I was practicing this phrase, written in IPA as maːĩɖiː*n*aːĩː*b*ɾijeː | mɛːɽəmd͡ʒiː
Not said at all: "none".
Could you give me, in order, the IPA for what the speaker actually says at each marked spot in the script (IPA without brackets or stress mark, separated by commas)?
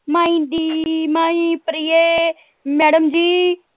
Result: m, p